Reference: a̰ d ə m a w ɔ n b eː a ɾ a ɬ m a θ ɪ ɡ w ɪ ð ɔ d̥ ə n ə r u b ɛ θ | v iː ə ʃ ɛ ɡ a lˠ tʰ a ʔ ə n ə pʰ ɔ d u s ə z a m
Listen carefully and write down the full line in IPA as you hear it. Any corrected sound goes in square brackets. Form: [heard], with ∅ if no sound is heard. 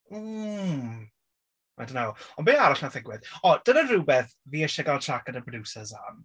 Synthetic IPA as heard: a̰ d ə [n] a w ɔ n b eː a ɾ a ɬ [n] a θ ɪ ɡ w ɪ ð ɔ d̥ ə n ə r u b ɛ θ | v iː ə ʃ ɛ ɡ a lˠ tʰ a [k] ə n ə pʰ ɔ d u s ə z a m